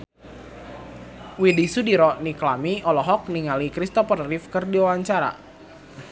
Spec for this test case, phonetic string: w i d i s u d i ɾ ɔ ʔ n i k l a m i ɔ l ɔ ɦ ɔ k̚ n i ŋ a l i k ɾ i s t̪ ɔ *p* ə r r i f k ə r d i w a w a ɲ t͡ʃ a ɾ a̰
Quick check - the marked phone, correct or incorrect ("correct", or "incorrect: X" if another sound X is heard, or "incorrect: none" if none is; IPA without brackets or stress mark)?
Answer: correct